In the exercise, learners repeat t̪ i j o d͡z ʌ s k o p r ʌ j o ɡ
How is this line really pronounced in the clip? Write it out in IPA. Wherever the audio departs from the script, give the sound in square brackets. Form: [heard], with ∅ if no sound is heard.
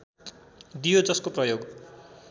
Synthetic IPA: [d̪] i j o d͡z ʌ s k o p r ʌ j o ɡ